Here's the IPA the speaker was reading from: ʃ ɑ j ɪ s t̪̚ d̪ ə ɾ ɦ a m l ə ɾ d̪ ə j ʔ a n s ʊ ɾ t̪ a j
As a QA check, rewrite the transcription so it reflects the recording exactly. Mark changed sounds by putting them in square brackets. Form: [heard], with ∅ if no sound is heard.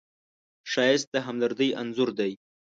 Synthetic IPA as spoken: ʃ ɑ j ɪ s t̪̚ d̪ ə [∅] ɦ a m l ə ɾ d̪ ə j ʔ a n [z] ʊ ɾ [d̪] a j